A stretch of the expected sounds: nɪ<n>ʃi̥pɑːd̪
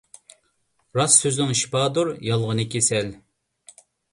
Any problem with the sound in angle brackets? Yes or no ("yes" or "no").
yes